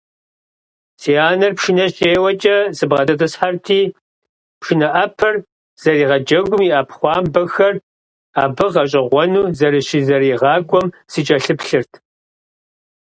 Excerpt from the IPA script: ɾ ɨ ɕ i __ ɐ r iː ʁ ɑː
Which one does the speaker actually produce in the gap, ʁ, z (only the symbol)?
z